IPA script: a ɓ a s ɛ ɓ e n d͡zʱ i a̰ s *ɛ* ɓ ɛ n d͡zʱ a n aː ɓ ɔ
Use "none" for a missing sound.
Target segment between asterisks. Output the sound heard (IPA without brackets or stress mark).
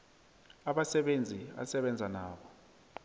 ɛ